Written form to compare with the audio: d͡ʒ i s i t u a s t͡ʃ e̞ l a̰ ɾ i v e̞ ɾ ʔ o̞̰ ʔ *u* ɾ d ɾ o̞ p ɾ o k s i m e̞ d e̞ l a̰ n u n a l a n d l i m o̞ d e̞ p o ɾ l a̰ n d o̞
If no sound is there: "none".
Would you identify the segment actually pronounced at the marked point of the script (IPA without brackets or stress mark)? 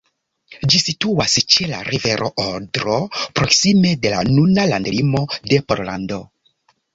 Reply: o